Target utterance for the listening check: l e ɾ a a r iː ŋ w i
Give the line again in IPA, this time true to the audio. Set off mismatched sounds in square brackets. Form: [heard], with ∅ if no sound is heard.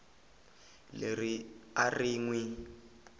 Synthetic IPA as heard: l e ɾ [i] a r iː ŋ w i